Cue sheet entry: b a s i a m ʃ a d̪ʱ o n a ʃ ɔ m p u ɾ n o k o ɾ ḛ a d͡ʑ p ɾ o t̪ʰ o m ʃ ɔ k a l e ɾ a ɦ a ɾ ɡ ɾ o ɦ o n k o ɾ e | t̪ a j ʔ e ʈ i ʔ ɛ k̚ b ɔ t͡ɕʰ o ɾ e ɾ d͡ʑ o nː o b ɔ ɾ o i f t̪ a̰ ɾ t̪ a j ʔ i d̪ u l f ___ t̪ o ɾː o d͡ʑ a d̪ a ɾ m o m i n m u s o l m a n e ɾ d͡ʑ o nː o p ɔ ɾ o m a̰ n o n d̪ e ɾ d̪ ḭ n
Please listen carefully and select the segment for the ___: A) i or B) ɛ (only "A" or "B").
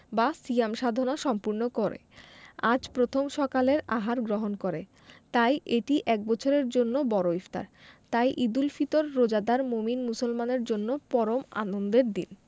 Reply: A